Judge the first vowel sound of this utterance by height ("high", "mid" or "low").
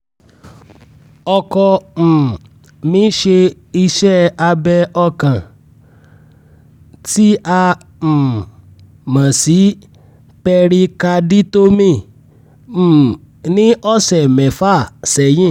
mid